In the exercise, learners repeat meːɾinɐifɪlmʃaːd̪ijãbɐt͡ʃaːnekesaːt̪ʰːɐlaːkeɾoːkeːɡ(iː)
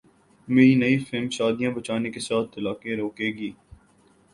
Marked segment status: correct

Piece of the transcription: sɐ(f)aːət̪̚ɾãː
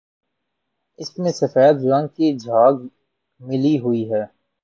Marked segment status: correct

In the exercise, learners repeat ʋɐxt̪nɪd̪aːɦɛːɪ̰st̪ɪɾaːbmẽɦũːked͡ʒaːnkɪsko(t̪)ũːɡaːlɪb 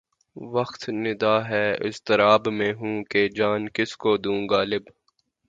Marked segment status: incorrect: d̪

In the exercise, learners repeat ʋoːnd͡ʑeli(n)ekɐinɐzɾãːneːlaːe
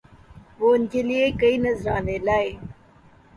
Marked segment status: incorrect: none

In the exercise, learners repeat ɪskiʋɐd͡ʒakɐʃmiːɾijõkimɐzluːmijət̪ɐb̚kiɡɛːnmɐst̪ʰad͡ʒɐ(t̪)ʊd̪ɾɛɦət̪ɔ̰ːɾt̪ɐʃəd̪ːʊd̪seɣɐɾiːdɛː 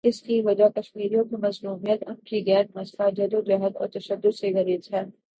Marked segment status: incorrect: d̪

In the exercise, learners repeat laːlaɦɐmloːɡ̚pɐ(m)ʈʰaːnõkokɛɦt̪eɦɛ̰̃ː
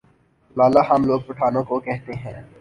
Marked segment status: incorrect: none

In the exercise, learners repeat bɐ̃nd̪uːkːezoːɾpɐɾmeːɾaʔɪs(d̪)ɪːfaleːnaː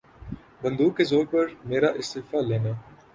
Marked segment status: incorrect: t̪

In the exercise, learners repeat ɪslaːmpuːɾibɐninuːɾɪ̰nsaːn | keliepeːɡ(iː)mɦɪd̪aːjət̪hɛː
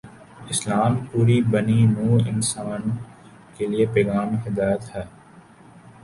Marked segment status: incorrect: aː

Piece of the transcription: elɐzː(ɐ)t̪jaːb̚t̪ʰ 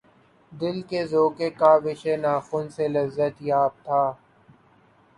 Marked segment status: incorrect: ə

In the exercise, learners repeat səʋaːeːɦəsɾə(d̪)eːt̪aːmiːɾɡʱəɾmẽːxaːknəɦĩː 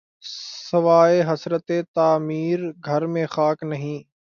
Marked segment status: incorrect: t̪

